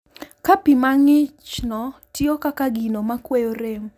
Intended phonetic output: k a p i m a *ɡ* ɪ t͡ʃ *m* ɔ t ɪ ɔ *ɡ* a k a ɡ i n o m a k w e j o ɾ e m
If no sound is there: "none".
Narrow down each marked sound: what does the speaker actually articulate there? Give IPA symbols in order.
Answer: ŋ, n, k

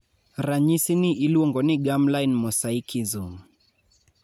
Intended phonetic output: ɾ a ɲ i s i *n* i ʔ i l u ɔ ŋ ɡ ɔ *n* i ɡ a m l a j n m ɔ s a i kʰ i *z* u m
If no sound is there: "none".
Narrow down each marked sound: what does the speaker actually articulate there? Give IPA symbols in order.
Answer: n, n, z

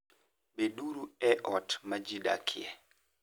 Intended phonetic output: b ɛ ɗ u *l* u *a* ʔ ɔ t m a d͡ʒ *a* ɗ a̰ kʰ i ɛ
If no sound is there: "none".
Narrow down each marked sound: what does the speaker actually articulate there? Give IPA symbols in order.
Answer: ɾ, ɛ, i

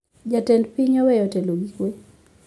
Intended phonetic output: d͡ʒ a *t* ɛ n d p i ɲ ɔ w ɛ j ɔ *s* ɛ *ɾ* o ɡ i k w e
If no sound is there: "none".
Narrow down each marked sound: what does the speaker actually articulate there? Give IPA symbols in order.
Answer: t, t, l

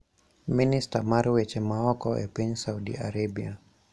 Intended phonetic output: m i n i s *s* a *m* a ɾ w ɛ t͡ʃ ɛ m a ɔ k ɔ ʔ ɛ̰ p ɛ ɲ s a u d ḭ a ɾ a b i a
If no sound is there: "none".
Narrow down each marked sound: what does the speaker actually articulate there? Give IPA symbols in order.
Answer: t, m

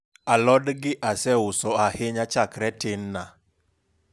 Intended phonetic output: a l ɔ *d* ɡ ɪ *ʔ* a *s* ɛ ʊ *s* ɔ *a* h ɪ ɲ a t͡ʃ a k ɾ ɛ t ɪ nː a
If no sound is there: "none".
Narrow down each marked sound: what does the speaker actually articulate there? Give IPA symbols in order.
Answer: d, ʔ, s, s, a

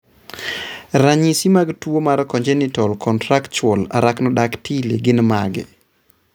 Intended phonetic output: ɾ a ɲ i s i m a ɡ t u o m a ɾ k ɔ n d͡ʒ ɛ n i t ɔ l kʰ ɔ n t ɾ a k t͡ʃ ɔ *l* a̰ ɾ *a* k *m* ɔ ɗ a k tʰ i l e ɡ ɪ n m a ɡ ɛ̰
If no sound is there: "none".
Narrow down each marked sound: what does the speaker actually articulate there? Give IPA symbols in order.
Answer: l, a, n

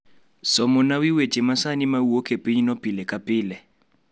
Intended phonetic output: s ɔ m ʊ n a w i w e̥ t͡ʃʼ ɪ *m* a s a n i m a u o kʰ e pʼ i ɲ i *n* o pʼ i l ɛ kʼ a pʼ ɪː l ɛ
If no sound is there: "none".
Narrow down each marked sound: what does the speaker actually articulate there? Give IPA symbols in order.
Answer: m, n

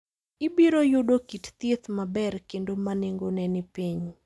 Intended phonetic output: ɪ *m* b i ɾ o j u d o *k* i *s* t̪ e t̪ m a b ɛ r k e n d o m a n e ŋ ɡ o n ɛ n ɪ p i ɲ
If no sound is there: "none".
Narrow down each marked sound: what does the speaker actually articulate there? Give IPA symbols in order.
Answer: none, k, t

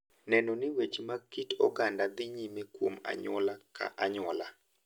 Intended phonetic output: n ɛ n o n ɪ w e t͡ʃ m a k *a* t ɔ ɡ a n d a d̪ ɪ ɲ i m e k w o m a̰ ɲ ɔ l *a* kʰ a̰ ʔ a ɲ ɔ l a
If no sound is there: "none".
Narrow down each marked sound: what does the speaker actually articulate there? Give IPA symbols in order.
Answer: i, a

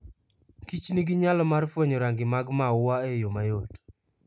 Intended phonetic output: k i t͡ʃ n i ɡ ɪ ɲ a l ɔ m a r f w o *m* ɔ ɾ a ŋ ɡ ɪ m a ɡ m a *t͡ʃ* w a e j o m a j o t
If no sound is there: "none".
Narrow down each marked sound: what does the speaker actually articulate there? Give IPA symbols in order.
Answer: ɲ, none

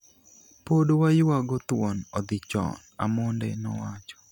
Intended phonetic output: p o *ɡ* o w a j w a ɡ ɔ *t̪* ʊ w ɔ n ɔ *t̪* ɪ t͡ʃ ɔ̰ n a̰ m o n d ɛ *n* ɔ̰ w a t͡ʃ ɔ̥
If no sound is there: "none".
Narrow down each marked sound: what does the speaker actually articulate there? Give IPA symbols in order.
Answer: d, t̪, d̪, n

